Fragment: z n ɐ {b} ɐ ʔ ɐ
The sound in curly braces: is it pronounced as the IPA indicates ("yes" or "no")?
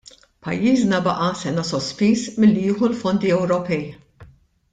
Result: yes